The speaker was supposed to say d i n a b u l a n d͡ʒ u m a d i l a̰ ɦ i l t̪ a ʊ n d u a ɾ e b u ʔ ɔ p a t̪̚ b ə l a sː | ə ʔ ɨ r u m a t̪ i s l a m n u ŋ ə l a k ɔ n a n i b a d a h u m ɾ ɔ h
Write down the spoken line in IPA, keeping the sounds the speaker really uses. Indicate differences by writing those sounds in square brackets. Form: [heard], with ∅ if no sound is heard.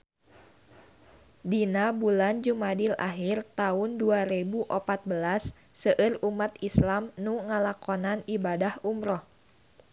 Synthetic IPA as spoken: d i n a b u l a n d͡ʒ u m a d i l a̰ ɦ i [r] t̪ a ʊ n d u a ɾ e b u ʔ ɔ p a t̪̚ b ə l a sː | ə ʔ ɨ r u m a t̪ i s l a m n u ŋ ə l a k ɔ n a n i b a d a h u m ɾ ɔ h